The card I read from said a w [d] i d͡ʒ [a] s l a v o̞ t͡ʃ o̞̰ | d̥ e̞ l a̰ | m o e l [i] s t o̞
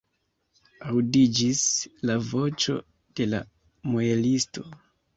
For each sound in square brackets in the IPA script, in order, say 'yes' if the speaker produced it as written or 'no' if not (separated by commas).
yes, no, yes